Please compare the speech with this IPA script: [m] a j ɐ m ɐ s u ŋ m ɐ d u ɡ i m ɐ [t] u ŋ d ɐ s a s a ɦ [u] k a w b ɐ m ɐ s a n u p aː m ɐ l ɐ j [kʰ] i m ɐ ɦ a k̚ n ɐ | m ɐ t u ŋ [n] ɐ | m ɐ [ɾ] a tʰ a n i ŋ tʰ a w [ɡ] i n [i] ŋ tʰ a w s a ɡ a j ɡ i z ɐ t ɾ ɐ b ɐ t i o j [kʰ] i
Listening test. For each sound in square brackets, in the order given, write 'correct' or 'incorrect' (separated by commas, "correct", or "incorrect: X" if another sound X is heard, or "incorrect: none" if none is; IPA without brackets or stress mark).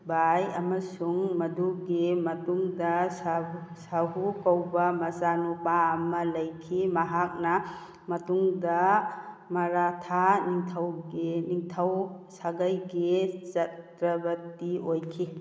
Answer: incorrect: b, correct, correct, correct, incorrect: d, correct, correct, correct, correct